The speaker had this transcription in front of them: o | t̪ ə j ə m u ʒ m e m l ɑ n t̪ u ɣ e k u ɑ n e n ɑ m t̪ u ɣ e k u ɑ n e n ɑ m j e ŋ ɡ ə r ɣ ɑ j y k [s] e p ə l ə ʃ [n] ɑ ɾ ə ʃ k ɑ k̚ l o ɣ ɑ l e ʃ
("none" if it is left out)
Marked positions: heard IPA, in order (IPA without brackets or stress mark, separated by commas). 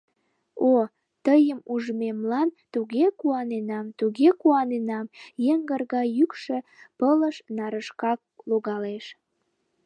ʃ, n